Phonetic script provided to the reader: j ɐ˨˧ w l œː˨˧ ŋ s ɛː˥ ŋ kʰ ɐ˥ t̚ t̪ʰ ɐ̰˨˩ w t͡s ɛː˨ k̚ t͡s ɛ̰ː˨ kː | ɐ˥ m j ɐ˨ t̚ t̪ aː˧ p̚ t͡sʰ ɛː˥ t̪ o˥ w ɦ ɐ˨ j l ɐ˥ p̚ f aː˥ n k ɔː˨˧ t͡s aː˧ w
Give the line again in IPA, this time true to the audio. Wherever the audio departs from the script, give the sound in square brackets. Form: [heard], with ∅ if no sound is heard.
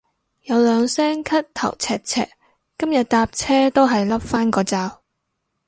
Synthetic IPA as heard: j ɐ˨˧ w l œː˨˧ ŋ s ɛː˥ ŋ kʰ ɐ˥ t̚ t̪ʰ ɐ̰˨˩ w [t͡sʰ] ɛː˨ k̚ [t͡sʰ] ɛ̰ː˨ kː | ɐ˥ m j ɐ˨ t̚ t̪ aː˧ p̚ t͡sʰ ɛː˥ t̪ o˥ w ɦ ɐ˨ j l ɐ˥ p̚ f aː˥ n k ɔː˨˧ t͡s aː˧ w